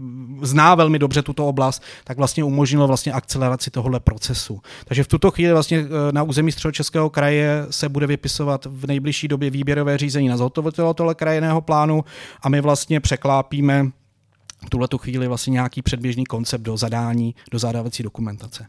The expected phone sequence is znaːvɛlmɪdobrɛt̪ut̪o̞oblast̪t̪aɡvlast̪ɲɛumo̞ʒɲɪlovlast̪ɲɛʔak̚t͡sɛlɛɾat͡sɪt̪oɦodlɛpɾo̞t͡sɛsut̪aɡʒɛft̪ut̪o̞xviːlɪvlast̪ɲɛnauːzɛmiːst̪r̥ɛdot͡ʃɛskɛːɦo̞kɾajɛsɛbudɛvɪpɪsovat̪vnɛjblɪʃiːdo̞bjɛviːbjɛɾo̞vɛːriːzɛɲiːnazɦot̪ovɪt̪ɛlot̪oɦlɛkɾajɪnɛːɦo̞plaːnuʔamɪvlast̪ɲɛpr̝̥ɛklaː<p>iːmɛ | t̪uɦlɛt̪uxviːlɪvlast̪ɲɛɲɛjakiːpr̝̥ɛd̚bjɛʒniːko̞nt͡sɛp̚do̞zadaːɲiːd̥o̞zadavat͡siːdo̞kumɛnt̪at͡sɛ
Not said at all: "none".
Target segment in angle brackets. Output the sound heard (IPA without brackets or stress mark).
p